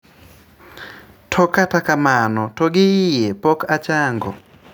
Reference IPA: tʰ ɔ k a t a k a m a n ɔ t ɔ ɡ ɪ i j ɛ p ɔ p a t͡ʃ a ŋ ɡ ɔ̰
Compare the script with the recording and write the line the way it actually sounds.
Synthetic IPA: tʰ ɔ k a t a k a m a n ɔ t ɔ ɡ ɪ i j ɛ p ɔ k a t͡ʃ a ŋ ɡ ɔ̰